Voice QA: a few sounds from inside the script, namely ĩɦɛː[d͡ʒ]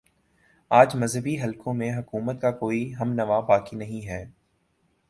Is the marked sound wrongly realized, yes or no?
yes